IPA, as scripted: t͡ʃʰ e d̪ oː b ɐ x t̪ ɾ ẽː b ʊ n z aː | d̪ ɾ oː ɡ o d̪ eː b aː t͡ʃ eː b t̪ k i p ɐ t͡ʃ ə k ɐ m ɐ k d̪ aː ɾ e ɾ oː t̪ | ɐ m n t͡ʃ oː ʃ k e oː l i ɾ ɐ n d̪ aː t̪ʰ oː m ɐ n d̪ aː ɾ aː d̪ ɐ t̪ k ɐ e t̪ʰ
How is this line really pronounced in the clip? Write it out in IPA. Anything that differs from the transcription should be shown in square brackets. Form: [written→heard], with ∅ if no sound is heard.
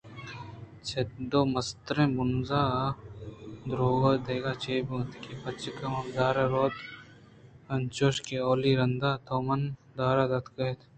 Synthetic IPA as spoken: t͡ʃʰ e d̪ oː [b→m] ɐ [x→s] t̪ ɾ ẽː b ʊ n z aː | d̪ ɾ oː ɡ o d̪ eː [b→ɡ] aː t͡ʃ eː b t̪ k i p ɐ t͡ʃ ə k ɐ m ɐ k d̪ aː ɾ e ɾ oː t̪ | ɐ [m→∅] n t͡ʃ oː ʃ k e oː l i ɾ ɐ n d̪ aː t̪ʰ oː m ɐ n d̪ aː ɾ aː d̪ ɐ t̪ k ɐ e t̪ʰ